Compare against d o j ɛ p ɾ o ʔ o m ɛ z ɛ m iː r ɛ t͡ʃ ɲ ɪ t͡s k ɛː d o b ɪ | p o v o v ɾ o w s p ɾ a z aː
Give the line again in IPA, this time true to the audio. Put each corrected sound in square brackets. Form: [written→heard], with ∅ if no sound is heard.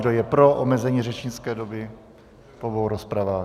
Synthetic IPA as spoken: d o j ɛ p ɾ o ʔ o m ɛ z ɛ [m→ɲ] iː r ɛ t͡ʃ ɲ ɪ t͡s k ɛː d o b ɪ | p o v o [v→w] ɾ o [w→∅] s p ɾ a [z→v] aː